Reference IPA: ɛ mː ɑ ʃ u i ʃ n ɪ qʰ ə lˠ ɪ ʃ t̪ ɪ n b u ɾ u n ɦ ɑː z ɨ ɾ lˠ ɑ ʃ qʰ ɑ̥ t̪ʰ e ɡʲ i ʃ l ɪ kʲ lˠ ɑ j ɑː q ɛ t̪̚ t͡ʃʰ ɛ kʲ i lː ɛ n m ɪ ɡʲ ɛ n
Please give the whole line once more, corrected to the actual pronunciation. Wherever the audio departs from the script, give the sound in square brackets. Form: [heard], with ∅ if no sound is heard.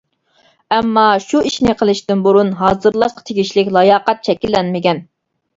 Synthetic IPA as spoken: ɛ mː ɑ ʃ u i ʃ n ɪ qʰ ə lˠ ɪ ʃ t̪ ɪ n b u ɾ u n ɦ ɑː z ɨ ɾ lˠ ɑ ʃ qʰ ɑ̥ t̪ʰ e ɡʲ i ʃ l ɪ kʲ lˠ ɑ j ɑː q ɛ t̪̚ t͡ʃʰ ɛ kʲ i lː ɛ n m ɪ ɡʲ ɛ n